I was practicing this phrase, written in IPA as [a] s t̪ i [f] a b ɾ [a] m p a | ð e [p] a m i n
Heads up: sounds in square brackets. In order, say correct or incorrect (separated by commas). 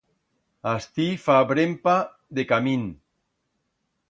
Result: correct, correct, incorrect, incorrect